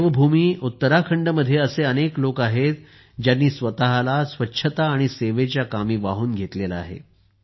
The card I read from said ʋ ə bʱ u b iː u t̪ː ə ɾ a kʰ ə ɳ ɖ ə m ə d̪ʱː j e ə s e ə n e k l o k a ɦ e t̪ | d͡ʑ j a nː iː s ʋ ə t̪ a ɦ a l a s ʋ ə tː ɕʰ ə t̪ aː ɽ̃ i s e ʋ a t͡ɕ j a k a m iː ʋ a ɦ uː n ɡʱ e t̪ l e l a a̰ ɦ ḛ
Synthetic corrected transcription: ʋ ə bʱ u m iː u t̪ː ə ɾ a kʰ ə ɳ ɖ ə m ə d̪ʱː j e ə s e ə n e k l o k a ɦ e t̪ | d͡ʑ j a nː iː s ʋ ə t̪ a ɦ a l a s ʋ ə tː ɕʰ ə t̪ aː ɽ̃ i s e ʋ e t͡ɕ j a k a m iː ʋ a ɦ uː n ɡʱ e t̪ l e l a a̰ ɦ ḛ

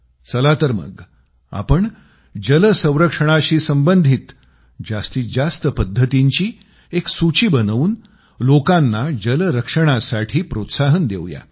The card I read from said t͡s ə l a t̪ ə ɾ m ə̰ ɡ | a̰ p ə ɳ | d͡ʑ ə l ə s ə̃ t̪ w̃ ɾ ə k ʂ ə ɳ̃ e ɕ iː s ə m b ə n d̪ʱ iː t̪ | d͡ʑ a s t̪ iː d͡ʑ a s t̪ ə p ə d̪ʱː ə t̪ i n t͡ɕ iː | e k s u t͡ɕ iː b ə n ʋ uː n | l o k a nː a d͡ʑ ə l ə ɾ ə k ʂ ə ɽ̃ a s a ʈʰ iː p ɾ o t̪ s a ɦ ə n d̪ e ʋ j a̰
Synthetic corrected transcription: t͡s ə l a t̪ ə ɾ m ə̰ ɡ | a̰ p ə ɳ | d͡ʑ ə l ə s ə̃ w̃ ɾ ə k ʂ ə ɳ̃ a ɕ iː s ə m b ə n d̪ʱ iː t̪ | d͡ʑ a s t̪ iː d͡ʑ a s t̪ ə p ə d̪ʱː ə t̪ i ɲ t͡ɕ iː | e k s u t͡ɕ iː b ə n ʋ uː n | l o k a nː a d͡ʑ ə l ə ɾ ə k ʂ ə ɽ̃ a s a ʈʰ iː p ɾ o t̪ s a ɦ ə n d̪ e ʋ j a̰

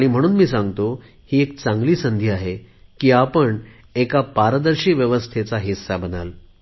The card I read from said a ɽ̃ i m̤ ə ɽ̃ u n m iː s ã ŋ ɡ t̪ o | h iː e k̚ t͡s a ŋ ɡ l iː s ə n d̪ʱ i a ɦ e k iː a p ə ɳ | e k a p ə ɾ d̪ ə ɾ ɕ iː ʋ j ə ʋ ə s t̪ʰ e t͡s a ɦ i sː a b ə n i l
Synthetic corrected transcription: a ɽ̃ i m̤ ə ɽ̃ uː n m iː s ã ŋ ɡ t̪ o | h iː e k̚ t͡s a ŋ ɡ l iː s ə n d̪ʱ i a ɦ e k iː a p ə ɳ | e k a p a ɾ d̪ ə ɾ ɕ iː ʋ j ə ʋ ə s t̪ʰ e t͡s a ɦ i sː a b ə n a l

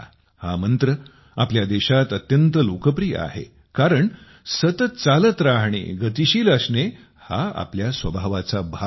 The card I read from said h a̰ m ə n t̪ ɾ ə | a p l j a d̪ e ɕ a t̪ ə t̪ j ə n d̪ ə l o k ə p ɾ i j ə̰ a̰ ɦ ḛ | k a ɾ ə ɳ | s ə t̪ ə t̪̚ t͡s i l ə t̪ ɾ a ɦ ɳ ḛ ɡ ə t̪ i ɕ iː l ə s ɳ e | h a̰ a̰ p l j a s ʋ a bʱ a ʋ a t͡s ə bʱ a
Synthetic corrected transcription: h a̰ m ə n t̪ ɾ ə | a p l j a d̪ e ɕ a t̪ ə t̪ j ə n t̪ ə l o k ə p ɾ i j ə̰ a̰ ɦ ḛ | k a ɾ ə ɳ | s ə t̪ ə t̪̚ t͡s a l ə t̪ ɾ a ɦ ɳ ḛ ɡ ə t̪ i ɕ iː l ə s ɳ e | h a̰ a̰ p l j a s ʋ ə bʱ a ʋ a t͡s a bʱ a

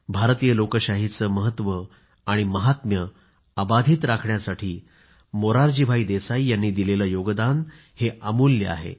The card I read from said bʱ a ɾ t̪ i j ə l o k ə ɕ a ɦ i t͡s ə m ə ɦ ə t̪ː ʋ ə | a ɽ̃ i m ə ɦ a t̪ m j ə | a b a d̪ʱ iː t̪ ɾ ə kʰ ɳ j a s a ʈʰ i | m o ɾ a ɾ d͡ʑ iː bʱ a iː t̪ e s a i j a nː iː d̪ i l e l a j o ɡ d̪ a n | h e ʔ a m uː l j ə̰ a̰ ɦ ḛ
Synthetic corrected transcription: bʱ a ɾ t̪ i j ə l o k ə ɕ a ɦ i t͡s ə m ə ɦ ə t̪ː ʋ ə | a ɽ̃ i m ə ɦ a t̪ m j ə | a b a d̪ʱ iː t̪ ɾ a kʰ ɳ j a s a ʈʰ iː | m o ɾ a ɾ d͡ʑ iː bʱ a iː d̪ e s a i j a nː iː d̪ i l e l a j o ɡ d̪ a n | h e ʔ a m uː l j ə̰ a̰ ɦ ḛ

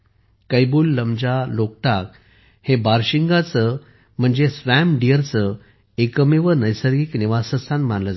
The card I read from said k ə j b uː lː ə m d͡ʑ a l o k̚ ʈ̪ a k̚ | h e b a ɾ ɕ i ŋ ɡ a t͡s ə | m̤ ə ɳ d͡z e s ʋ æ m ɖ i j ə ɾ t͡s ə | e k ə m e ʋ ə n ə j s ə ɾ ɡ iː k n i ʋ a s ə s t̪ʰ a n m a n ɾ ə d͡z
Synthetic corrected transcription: k ə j b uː lː ə m d͡ʑ a l o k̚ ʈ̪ a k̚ | h e b a ɾ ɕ i ŋ ɡ a t͡s ə | m̤ ə ɳ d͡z e s ʋ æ m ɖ i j ə ɾ t͡s ə | e k ə m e ʋ ə n ə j s ə ɾ ɡ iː k n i ʋ a s ə s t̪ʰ a n m a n l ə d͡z

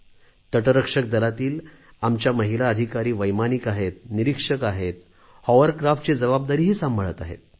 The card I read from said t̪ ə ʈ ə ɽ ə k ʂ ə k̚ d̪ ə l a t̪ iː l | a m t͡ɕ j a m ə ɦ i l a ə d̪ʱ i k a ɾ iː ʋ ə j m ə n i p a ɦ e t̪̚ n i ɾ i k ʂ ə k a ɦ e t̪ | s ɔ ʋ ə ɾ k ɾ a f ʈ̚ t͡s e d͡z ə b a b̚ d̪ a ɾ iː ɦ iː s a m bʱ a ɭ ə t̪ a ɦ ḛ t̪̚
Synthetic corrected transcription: t̪ ə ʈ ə ɾ ə k ʂ ə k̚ d̪ ə l a t̪ iː l | a m t͡ɕ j a m ə ɦ i l a ə d̪ʱ i k a ɾ iː ʋ ə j m a n i k a ɦ e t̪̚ n i ɾ i k ʂ ə k a ɦ e t̪ | h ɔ ʋ ə ɾ k ɾ a f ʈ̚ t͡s e d͡z ə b a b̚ d̪ a ɾ iː ɦ iː s a m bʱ ə ɭ ə t̪ a ɦ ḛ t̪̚

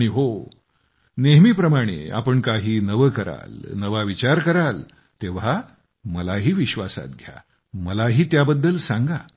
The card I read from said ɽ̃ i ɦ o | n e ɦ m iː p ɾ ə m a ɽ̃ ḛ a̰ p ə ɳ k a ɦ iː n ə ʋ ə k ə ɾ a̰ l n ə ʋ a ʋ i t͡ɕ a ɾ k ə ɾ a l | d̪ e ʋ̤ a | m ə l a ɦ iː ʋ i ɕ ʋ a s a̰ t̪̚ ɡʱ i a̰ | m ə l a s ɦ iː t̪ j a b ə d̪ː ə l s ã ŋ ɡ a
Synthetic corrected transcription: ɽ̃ i ɦ o | n e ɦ m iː p ɾ ə m a ɽ̃ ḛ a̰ p ə ɳ k a ɦ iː n ə ʋ ə k ə ɾ a̰ l n ə ʋ a ʋ i t͡ɕ a ɾ k ə ɾ a l | t̪ e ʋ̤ a | m ə l a ɦ iː ʋ i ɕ ʋ a s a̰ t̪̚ ɡʱ j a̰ | m ə l a ɦ iː t̪ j a b ə d̪ː ə l s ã ŋ ɡ a

